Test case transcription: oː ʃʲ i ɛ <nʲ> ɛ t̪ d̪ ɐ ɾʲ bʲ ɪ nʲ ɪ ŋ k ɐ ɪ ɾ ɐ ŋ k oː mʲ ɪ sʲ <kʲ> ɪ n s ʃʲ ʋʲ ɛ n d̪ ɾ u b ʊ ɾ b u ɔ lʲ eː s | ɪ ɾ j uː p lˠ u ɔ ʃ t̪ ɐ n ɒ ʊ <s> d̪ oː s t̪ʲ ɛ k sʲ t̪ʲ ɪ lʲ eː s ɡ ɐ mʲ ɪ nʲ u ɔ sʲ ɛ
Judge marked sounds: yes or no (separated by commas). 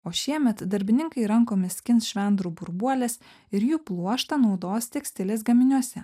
no, yes, no